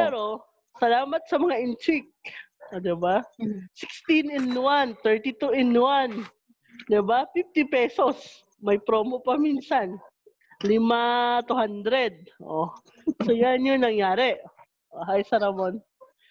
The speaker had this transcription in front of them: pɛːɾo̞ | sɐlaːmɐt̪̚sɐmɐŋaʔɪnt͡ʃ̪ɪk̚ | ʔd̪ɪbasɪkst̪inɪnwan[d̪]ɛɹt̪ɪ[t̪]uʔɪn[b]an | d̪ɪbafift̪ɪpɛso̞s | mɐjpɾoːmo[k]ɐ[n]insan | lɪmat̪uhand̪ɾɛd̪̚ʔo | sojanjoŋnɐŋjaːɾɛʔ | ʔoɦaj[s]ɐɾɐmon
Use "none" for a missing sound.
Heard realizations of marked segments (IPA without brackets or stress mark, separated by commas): t̪, t̪, w, p, m, s